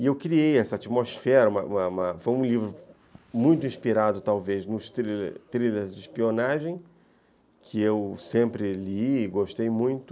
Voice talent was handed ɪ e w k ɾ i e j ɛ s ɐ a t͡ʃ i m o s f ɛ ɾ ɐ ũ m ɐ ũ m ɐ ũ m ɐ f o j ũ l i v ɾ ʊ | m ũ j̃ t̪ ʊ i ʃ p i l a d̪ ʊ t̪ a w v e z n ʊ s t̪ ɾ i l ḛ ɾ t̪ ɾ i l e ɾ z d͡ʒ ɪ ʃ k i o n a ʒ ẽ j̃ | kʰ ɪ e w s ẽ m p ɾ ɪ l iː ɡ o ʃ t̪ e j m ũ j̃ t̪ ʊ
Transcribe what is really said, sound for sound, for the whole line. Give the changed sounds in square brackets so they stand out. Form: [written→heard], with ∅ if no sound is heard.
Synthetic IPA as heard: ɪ e w k ɾ i e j ɛ s ɐ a t͡ʃ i m o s f ɛ ɾ ɐ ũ m ɐ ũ m ɐ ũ m ɐ f o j ũ l i v ɾ ʊ | m ũ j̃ t̪ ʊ [i→ĩ] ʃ p i [l→ɾ] a d̪ ʊ t̪ a w v e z n ʊ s t̪ ɾ i l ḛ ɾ t̪ ɾ i l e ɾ z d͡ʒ ɪ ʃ [k→p] i o n a ʒ ẽ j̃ | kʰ ɪ e w s ẽ m p ɾ ɪ l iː ɡ o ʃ t̪ e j m ũ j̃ t̪ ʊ